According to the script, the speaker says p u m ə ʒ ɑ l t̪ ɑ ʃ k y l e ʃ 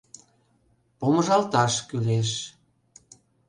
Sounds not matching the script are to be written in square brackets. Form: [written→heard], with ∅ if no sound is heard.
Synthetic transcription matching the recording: p [u→o] m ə ʒ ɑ l t̪ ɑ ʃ k y l e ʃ